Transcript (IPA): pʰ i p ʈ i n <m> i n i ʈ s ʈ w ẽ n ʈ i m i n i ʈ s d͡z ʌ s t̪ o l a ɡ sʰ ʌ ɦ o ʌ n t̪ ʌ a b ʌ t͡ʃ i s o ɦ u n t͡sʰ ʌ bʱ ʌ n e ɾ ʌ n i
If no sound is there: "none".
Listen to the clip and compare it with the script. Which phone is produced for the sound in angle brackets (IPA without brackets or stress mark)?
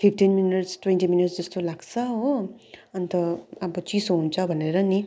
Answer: m